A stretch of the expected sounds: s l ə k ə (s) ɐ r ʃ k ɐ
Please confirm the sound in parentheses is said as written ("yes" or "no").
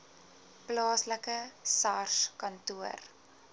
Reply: yes